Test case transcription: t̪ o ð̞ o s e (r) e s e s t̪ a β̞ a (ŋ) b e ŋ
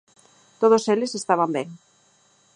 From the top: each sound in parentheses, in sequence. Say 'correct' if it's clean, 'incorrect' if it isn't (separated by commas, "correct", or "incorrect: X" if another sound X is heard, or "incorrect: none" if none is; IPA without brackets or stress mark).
incorrect: l, incorrect: m